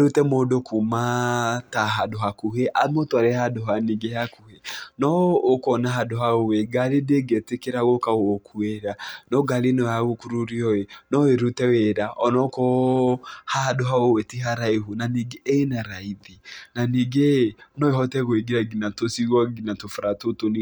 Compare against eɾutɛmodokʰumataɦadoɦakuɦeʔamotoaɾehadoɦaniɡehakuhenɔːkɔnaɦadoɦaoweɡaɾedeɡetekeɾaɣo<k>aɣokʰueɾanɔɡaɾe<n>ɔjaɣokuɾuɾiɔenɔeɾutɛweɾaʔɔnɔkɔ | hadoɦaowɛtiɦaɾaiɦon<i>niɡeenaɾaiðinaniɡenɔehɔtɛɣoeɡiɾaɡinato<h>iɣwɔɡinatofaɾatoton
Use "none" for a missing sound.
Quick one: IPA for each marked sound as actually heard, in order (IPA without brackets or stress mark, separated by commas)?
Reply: k, n, a, s